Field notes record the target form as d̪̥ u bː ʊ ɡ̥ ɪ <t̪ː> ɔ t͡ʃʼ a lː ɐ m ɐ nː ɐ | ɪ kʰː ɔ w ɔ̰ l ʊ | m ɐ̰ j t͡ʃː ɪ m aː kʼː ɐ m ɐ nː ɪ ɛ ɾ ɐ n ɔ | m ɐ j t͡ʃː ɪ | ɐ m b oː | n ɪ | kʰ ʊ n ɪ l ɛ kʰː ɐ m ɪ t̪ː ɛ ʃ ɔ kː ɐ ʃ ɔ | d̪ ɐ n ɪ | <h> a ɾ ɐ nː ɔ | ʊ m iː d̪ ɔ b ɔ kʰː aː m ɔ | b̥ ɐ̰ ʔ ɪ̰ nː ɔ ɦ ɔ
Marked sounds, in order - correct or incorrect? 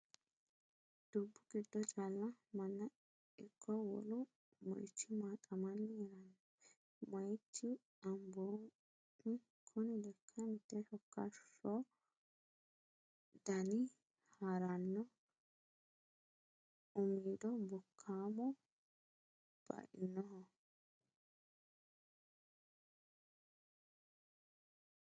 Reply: incorrect, correct

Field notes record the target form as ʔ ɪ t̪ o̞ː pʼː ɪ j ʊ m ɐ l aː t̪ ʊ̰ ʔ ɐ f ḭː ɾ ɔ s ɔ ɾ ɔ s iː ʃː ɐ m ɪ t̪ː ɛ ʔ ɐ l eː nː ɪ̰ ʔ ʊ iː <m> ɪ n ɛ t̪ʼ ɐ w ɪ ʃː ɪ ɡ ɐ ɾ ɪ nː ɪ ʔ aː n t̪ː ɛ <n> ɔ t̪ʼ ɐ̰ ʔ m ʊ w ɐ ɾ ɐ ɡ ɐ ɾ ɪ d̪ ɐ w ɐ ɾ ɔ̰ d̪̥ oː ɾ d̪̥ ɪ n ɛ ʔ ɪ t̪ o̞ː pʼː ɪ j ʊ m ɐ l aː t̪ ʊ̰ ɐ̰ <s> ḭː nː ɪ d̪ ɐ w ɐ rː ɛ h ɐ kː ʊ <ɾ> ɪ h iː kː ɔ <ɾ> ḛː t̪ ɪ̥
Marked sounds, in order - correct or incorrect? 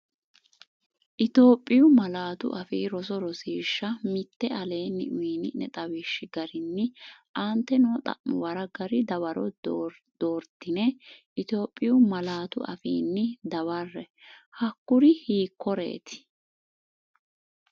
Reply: incorrect, correct, incorrect, correct, correct

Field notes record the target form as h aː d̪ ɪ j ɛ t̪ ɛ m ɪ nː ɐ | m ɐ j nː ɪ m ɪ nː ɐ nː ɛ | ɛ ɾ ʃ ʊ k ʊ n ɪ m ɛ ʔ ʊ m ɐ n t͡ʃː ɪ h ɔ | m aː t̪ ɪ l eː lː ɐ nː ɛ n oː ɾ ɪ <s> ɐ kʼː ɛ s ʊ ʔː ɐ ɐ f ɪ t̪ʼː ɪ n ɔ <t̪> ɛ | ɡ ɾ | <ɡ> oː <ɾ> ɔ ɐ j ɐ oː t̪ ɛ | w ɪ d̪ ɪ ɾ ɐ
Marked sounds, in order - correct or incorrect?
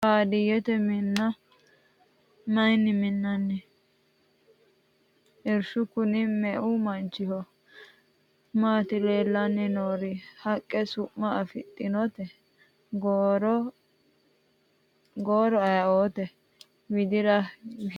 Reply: incorrect, correct, correct, correct

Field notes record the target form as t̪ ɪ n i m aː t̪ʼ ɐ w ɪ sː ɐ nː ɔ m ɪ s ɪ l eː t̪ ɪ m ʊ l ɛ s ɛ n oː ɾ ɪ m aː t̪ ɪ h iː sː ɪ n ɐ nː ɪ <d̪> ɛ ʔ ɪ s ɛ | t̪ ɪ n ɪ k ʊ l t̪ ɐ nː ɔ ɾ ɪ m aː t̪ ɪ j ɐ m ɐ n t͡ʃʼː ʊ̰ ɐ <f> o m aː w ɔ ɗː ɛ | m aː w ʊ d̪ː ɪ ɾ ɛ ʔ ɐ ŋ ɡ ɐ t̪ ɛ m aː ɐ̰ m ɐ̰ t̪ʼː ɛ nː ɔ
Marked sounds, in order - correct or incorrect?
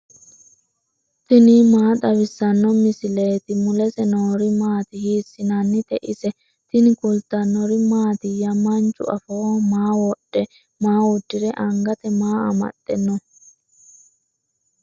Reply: incorrect, correct

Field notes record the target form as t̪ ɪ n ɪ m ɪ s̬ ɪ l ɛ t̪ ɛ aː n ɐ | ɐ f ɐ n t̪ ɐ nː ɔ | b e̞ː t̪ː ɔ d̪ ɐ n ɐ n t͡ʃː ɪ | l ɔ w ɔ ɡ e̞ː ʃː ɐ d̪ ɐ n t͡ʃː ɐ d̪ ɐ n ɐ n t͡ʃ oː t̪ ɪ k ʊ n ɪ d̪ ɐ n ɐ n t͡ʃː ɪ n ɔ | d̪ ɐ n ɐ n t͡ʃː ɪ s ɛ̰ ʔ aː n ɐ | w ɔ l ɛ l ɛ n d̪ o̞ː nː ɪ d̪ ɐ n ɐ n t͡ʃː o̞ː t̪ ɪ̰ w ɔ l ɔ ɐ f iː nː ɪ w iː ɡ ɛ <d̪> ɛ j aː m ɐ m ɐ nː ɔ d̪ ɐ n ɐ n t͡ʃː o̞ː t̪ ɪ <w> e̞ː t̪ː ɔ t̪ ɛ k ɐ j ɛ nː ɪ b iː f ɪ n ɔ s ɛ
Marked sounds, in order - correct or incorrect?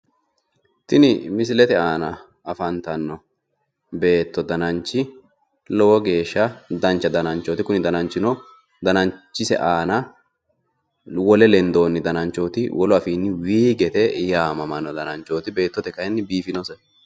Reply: incorrect, incorrect

